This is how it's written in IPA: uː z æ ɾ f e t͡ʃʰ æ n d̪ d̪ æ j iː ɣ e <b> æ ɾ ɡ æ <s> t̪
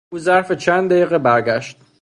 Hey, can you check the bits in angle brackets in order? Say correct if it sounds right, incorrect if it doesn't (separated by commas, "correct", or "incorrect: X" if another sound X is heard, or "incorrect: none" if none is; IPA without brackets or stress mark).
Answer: correct, incorrect: ʃ